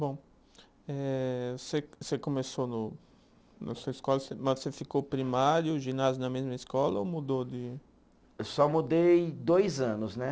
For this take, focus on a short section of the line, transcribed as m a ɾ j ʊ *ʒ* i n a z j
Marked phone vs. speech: correct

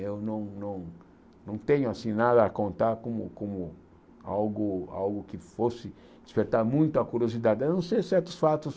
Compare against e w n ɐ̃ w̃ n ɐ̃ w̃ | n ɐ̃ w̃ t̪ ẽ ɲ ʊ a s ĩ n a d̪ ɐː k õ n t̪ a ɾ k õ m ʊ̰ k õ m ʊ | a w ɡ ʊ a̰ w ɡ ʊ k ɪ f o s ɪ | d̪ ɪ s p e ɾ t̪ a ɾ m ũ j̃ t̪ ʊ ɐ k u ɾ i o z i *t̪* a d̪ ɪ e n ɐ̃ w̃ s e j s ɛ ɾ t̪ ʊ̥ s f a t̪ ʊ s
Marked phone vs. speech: incorrect: d̪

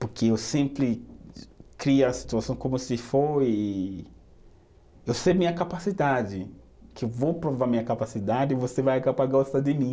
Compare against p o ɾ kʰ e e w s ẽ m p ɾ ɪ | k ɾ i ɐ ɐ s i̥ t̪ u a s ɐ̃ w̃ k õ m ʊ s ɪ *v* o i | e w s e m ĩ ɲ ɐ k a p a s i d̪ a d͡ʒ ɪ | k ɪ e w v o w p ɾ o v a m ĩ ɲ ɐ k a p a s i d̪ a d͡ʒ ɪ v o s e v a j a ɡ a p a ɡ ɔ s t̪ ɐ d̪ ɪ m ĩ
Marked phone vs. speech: incorrect: f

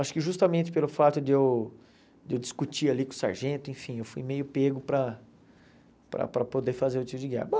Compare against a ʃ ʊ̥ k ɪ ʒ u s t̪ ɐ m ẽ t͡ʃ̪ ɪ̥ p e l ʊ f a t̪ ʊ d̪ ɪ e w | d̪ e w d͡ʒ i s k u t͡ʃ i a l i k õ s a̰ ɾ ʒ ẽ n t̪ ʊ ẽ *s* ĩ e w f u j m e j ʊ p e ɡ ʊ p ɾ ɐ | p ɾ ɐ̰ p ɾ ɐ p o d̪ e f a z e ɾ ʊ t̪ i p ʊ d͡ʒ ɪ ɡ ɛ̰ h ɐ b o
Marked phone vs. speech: incorrect: f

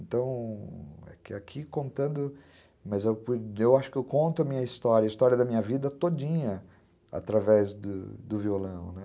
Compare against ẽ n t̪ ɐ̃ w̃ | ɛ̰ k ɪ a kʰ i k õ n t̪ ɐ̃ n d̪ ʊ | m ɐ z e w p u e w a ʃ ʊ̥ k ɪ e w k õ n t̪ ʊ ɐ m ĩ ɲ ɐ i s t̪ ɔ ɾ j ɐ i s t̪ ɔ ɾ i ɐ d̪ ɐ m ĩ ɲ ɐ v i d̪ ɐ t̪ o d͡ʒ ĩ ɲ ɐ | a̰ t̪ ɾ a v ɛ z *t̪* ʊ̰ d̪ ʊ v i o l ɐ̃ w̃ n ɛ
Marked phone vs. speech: incorrect: d̪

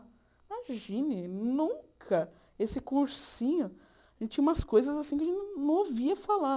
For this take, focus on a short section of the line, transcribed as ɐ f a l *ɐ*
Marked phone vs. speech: incorrect: a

